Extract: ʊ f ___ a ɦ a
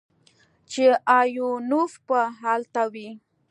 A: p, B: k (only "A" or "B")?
A